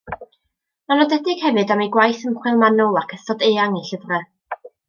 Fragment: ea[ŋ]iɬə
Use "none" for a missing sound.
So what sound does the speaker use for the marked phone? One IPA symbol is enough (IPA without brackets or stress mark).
ŋ